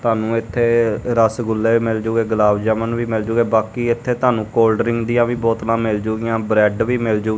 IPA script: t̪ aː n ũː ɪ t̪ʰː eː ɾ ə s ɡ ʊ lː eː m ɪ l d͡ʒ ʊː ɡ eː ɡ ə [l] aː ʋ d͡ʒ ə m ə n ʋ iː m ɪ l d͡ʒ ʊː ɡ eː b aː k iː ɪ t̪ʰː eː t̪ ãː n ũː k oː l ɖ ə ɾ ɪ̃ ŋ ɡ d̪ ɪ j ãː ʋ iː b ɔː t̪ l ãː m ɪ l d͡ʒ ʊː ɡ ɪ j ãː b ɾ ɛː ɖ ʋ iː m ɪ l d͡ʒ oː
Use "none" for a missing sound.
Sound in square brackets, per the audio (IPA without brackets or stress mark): l